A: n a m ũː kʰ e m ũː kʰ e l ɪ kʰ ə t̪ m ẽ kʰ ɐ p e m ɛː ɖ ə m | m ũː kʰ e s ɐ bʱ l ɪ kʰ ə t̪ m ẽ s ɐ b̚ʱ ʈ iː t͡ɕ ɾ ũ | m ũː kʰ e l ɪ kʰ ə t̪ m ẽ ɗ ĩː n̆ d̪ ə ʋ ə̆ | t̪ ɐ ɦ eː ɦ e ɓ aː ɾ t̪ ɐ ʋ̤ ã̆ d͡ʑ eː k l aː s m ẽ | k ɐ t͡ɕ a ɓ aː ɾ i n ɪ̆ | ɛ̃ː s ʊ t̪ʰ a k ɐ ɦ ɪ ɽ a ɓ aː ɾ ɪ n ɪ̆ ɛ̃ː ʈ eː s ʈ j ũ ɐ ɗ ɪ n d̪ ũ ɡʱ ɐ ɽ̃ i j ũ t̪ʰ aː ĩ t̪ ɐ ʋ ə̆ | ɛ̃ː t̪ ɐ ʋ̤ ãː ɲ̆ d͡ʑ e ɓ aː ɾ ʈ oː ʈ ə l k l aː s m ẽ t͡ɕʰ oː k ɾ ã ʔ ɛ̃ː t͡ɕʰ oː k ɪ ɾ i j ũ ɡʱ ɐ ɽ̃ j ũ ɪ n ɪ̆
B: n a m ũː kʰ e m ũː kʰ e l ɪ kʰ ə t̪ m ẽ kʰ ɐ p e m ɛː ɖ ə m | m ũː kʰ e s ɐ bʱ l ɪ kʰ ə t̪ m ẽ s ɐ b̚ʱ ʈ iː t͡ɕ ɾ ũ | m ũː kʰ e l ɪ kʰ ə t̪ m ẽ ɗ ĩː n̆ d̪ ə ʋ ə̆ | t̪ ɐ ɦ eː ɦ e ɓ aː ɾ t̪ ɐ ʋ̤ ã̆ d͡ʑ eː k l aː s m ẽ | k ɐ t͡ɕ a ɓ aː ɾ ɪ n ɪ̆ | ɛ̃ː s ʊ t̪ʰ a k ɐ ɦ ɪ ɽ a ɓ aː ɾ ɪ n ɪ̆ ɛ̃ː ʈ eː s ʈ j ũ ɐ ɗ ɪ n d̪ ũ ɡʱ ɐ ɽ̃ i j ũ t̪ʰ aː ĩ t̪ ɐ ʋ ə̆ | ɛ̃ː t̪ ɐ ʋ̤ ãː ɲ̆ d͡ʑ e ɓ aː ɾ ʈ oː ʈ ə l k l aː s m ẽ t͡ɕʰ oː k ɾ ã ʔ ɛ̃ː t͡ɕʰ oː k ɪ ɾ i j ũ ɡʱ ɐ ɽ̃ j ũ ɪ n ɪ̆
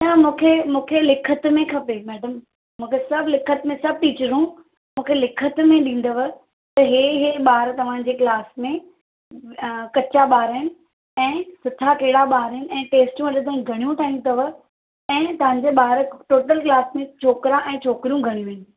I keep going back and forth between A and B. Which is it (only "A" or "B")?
B